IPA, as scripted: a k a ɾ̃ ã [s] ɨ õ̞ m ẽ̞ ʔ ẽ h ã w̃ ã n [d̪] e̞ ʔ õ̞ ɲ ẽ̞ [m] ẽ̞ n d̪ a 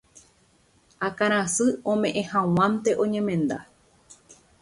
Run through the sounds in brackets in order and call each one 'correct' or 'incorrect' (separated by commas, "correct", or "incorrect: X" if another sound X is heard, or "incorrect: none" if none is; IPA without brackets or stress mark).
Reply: correct, incorrect: t̪, correct